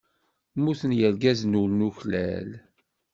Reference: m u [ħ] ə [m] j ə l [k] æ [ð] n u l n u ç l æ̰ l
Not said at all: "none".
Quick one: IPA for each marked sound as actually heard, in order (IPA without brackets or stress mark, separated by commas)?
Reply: θ, n, ɡ, z